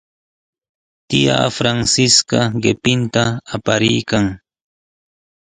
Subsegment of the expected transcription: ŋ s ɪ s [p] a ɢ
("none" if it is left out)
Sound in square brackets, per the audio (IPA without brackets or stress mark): k